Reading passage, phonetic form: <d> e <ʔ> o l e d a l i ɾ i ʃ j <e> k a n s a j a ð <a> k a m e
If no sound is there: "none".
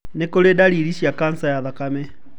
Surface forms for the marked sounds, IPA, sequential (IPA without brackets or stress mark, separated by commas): n, k, a, a